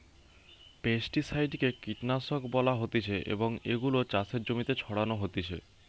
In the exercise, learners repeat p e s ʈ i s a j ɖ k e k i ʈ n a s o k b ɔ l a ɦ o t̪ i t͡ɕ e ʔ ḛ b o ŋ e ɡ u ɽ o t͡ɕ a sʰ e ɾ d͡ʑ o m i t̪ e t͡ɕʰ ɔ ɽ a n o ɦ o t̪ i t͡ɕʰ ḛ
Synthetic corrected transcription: p e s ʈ i s a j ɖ k e k i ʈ n a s o k b ɔ l a ɦ o t̪ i t͡ɕʰ e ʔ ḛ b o ŋ e ɡ u l o t͡ɕ a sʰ e ɾ d͡ʑ o m i t̪ e t͡ɕʰ ɔ ɽ a n o ɦ o t̪ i t͡ɕʰ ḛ